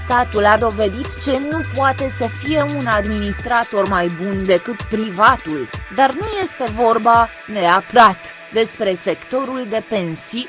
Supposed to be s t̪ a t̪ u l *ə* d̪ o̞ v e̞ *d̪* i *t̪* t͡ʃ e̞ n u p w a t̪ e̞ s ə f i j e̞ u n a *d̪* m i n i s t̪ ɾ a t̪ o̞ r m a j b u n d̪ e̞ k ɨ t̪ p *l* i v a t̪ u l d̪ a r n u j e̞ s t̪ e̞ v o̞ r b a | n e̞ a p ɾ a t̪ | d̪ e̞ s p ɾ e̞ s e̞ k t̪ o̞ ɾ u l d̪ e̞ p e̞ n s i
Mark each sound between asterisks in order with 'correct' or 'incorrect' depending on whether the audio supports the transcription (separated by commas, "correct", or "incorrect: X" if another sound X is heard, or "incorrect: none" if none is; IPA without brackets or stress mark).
incorrect: a, correct, correct, correct, incorrect: ɾ